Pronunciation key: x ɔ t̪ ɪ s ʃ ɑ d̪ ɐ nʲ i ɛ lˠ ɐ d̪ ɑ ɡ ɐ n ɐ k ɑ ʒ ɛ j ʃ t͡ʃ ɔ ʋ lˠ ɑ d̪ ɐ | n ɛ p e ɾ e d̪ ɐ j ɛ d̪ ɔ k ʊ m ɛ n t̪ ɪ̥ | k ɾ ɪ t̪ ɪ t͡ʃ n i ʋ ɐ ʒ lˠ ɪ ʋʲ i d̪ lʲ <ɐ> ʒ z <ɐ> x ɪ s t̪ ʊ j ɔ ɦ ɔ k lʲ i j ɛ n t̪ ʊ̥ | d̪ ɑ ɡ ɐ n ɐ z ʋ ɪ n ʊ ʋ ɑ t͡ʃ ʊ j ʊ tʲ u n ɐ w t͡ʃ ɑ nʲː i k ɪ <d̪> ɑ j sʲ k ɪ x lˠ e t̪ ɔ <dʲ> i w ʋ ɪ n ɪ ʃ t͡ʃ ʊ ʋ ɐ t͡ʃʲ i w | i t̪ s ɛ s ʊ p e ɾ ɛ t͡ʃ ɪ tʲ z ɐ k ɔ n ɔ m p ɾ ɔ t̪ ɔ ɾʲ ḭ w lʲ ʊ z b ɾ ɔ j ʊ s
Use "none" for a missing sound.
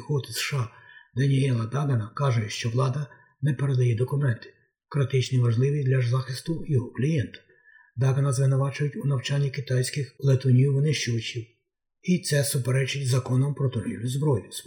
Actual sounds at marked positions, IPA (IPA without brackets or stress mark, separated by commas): ɐ, ɑ, t̪, nʲ